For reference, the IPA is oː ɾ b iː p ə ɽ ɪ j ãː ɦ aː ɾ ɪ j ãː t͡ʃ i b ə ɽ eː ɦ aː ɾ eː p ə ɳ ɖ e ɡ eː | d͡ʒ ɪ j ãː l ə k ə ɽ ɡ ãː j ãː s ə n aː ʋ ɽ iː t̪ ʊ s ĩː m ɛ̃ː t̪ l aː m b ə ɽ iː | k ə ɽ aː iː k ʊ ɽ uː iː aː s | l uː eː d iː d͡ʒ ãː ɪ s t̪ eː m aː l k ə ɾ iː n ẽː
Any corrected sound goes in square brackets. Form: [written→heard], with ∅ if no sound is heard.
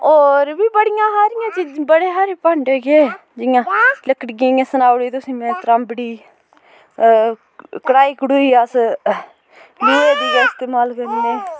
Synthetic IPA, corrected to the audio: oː ɾ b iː [p→b] ə ɽ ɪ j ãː ɦ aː ɾ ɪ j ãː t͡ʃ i b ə ɽ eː ɦ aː ɾ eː p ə ɳ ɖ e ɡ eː | d͡ʒ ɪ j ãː l ə k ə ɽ ɡ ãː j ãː s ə n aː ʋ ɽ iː t̪ ʊ s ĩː m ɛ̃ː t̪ [l→ɾ] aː m b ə ɽ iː | k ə ɽ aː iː k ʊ ɽ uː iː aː s | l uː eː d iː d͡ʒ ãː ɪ s t̪ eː m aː l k ə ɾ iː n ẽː